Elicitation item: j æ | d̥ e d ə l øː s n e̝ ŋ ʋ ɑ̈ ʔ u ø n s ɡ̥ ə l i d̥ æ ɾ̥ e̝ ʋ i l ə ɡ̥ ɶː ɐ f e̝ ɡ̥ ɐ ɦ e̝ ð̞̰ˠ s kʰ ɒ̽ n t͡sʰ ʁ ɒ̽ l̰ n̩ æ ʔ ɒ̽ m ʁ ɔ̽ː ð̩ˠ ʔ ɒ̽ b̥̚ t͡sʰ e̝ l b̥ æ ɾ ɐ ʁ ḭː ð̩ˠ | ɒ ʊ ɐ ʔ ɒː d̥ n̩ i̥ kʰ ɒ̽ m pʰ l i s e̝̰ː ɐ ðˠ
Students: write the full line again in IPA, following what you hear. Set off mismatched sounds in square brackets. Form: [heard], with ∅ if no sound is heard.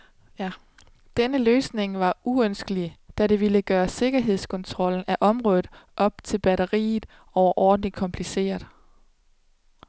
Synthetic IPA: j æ | d̥ e [n] ə l øː s n e̝ ŋ ʋ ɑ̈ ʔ u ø n s ɡ̥ ə l i d̥ æ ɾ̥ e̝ ʋ i l ə ɡ̥ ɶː ɐ [s] e̝ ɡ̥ ɐ ɦ e̝ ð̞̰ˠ s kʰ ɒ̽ n t͡sʰ ʁ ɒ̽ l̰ n̩ æ ʔ ɒ̽ m ʁ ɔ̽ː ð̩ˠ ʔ ɒ̽ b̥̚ t͡sʰ e̝ l b̥ æ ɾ ɐ ʁ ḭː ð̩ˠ | ɒ ʊ ɐ ʔ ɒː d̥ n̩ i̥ kʰ ɒ̽ m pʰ l i s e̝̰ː ɐ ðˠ